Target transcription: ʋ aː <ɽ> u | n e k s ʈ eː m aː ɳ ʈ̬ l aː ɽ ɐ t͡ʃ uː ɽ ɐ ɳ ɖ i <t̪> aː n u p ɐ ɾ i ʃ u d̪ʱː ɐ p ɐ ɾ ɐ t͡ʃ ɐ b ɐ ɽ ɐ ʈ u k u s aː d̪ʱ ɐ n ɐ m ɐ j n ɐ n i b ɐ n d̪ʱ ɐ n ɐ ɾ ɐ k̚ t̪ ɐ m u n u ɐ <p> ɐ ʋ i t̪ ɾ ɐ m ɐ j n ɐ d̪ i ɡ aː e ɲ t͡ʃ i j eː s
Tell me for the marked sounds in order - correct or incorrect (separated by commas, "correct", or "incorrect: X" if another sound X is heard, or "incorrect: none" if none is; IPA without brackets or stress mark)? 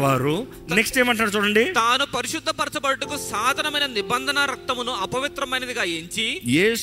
incorrect: ɾ, correct, correct